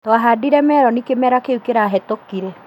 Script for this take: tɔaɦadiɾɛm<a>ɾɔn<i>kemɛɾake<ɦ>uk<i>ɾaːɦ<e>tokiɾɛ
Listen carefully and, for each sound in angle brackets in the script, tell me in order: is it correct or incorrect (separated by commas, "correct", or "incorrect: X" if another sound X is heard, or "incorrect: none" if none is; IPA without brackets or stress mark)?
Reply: incorrect: ɛ, correct, incorrect: none, incorrect: e, incorrect: ɛ